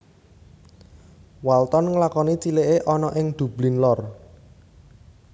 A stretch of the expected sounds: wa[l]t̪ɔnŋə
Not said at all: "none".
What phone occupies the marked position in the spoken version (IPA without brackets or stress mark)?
l